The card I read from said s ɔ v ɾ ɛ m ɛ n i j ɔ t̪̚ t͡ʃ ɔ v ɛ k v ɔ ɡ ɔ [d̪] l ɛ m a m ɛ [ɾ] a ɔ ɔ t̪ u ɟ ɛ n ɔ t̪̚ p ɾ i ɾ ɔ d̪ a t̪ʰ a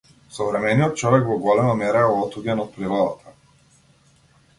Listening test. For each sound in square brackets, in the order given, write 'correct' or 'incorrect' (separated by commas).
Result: incorrect, correct